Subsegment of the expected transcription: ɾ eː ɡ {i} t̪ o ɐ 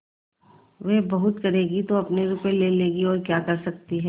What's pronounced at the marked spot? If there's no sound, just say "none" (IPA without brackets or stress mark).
i